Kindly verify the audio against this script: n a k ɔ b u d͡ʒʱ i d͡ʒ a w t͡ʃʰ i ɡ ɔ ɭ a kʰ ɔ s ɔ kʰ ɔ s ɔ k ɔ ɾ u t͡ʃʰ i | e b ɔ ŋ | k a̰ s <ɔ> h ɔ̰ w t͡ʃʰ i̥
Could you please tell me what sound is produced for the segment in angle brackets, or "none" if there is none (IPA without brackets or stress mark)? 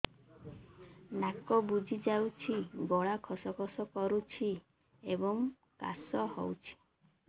ɔ